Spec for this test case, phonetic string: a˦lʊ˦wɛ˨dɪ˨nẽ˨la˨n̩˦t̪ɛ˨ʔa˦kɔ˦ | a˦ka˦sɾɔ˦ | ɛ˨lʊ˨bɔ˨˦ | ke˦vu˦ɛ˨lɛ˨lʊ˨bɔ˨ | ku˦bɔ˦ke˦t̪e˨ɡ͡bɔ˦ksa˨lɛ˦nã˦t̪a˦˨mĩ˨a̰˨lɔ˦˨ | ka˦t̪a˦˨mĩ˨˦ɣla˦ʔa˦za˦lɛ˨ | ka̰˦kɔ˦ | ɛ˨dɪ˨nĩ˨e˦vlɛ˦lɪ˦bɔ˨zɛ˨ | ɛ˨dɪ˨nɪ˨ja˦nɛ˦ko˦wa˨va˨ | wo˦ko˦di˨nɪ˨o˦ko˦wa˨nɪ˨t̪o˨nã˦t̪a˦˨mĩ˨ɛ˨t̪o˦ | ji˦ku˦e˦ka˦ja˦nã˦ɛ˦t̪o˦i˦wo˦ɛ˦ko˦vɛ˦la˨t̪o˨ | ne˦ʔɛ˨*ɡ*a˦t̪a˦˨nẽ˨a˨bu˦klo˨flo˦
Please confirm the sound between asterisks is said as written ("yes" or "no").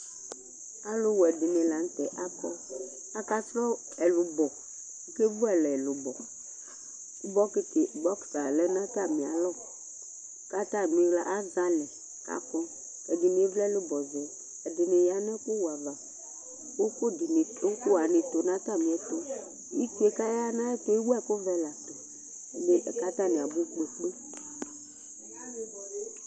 no